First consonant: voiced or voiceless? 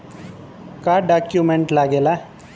voiceless